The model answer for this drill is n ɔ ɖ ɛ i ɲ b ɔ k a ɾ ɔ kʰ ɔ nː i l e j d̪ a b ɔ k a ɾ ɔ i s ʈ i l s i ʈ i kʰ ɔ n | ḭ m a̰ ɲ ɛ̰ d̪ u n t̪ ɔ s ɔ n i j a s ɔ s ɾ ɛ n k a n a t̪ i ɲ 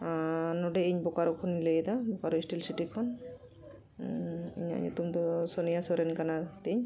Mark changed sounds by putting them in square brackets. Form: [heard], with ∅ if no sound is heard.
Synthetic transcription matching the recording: n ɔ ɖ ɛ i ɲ b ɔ k a ɾ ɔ kʰ ɔ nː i l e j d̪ a b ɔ k a ɾ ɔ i s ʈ i l s i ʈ i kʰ ɔ n | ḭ [ɲ] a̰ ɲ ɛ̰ [t̪] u [m] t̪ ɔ s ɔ n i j a s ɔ [∅] ɾ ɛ n k a n a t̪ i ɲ